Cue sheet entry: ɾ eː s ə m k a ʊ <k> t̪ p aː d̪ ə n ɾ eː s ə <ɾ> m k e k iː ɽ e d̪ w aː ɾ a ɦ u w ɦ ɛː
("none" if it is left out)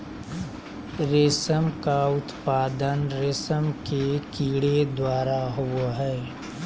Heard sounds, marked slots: none, none

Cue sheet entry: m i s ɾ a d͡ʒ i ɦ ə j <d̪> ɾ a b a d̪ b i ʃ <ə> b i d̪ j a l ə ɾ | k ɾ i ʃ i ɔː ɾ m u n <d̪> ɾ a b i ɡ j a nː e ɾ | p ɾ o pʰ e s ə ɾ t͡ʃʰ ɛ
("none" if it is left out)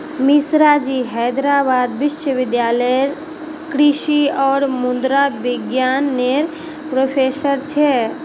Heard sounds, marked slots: d̪, ə, d̪

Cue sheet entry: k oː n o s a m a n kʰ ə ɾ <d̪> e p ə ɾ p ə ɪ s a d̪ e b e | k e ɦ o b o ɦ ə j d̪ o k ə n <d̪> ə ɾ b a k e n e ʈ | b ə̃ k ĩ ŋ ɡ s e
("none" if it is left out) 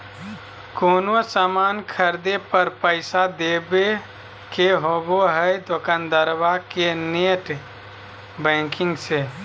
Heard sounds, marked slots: d̪, d̪

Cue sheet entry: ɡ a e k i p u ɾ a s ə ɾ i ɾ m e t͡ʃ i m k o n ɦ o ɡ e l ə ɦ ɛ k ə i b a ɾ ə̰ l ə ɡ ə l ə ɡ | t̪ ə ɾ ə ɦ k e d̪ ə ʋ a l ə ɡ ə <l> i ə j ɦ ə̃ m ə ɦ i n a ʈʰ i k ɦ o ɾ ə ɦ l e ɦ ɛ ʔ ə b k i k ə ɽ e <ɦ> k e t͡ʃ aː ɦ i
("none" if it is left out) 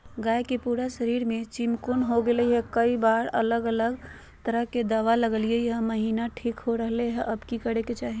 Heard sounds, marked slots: l, none

